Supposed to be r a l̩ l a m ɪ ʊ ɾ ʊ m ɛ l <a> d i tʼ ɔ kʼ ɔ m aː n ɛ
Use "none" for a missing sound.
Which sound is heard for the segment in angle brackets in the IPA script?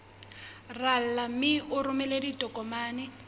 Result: e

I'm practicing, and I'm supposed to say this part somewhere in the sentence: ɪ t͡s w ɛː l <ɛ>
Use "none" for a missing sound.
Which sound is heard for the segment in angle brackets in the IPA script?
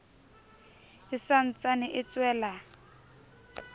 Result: a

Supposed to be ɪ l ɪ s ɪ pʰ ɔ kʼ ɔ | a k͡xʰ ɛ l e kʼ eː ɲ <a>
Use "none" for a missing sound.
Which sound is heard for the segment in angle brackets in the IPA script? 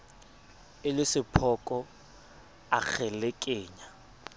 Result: a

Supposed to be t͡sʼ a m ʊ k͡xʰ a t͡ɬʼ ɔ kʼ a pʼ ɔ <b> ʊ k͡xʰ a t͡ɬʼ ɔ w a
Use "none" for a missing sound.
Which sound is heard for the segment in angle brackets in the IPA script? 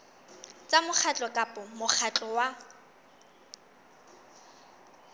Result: m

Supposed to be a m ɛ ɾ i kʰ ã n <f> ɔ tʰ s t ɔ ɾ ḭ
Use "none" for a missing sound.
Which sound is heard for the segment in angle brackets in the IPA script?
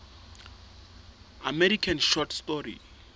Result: ʃ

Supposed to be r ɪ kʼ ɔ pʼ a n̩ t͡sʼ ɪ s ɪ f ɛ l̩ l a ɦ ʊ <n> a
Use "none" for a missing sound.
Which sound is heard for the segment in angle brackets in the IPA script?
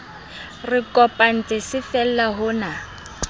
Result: n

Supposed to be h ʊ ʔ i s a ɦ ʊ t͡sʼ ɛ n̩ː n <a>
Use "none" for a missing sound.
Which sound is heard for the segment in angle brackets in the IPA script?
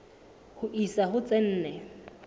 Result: ɛ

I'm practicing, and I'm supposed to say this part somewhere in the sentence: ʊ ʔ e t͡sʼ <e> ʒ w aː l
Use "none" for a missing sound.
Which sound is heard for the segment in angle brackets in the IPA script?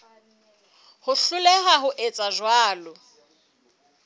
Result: a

